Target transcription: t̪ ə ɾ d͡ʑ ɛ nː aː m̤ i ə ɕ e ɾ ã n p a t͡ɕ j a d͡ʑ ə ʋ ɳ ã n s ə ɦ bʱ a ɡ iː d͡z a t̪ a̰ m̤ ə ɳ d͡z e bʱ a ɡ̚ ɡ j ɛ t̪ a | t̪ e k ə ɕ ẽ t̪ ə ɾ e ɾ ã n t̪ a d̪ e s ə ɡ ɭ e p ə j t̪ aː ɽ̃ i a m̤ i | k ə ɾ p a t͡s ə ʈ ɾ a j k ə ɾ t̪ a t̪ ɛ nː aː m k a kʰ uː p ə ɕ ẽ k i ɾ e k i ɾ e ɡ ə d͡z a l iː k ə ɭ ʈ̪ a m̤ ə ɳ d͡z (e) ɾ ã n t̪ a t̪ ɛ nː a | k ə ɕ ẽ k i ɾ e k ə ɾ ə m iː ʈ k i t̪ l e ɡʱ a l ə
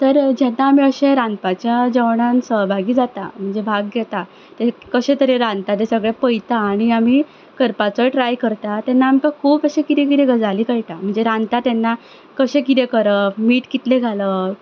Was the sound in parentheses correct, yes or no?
yes